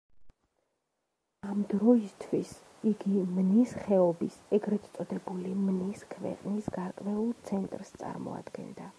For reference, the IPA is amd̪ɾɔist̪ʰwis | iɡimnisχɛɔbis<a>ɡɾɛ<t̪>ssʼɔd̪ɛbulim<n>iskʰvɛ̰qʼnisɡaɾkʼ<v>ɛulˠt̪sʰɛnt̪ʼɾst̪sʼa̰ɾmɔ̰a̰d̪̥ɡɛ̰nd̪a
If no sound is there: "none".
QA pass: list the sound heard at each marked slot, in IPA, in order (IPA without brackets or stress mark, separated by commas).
ɛ, t̪, n, v